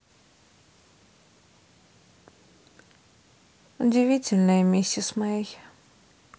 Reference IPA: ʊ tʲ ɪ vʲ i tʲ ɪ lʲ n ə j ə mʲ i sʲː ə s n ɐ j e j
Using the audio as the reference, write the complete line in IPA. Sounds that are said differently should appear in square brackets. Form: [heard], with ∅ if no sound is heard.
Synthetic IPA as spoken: ʊ [dʲ] ɪ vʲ i tʲ ɪ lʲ n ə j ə mʲ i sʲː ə s [m] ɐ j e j